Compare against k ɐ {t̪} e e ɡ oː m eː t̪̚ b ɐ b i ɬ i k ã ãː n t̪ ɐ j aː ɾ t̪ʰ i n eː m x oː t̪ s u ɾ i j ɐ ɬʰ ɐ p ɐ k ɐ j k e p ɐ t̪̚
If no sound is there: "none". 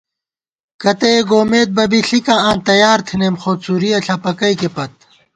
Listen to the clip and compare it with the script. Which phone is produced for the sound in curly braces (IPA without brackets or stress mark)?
t̪